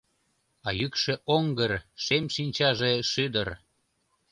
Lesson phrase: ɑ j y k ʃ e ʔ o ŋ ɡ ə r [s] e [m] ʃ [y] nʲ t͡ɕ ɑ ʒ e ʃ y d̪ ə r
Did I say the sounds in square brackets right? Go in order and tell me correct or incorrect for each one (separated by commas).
incorrect, correct, incorrect